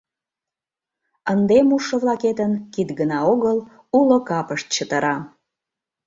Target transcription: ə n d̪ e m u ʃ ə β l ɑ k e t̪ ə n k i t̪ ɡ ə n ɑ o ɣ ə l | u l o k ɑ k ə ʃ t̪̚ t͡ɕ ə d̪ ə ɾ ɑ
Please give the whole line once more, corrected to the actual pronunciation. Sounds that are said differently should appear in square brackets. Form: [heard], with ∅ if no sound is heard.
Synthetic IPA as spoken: ə n d̪ e m u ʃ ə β l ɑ k e t̪ ə n k i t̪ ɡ ə n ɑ o ɣ ə l | u l o k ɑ [p] ə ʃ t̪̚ t͡ɕ ə [t̪] ə ɾ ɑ